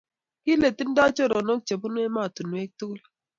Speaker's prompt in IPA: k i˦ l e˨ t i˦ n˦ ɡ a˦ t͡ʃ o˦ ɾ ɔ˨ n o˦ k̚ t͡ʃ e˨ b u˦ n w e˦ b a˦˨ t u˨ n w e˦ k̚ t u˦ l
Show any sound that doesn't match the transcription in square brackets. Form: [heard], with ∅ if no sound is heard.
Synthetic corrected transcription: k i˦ l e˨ t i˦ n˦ [d] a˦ t͡ʃ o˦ ɾ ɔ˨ n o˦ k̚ t͡ʃ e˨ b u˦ n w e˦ [m] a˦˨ t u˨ n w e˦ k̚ t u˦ l